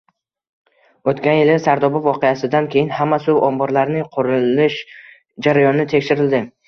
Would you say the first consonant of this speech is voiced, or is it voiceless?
voiceless